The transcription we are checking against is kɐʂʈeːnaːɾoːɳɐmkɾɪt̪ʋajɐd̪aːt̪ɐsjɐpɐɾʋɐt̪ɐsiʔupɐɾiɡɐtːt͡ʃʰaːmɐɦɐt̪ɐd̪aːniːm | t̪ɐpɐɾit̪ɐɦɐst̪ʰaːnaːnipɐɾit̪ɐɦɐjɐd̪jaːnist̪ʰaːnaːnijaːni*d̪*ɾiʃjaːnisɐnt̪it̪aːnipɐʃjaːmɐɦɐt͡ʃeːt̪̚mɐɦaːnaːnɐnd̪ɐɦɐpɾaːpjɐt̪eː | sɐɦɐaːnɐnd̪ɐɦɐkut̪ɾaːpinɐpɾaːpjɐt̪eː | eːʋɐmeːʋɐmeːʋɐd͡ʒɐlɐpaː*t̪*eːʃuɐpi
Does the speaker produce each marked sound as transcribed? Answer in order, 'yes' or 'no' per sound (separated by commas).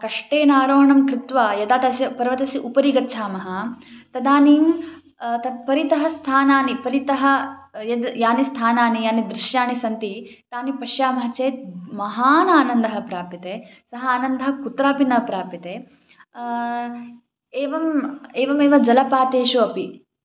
yes, yes